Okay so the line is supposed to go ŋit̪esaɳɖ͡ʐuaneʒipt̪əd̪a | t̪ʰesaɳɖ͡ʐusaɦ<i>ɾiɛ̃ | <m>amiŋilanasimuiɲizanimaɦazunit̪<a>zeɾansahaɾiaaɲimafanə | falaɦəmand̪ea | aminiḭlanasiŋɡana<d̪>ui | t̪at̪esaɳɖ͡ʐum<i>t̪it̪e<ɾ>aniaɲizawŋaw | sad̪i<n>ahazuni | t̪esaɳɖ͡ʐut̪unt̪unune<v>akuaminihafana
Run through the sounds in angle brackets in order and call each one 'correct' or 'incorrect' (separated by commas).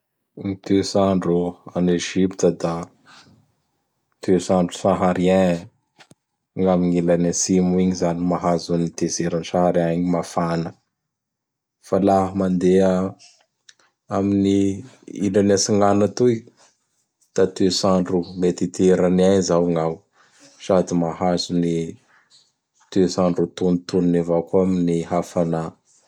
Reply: incorrect, incorrect, incorrect, incorrect, incorrect, correct, incorrect, correct